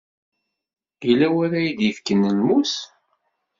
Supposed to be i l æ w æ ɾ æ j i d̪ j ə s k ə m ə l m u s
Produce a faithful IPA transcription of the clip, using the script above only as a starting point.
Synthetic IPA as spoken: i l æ w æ ɾ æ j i d̪ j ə f k ə n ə l m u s